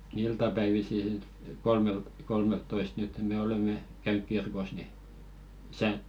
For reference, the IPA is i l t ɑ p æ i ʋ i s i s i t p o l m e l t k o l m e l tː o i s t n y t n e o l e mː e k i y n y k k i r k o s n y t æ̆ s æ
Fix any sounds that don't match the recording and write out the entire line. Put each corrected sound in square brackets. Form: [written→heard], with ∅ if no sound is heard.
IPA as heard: i l t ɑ p æ i ʋ i s i s i t [p→k] o l m e l t k o l m e l tː o i s t n y t [n→m] e o l e mː e k [i→æ] y n y k k i r k o s n [y→i] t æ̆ s æ